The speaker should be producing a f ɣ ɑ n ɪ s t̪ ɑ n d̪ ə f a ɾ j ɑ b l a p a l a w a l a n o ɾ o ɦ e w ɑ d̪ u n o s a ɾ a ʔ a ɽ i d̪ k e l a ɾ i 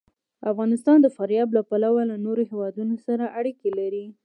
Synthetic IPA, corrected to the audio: a f ɣ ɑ n ɪ s t̪ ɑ n d̪ ə f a ɾ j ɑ b l a p a l a w a l a n o ɾ o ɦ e w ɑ d̪ u n o s a ɾ a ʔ a ɽ i k e l a ɾ i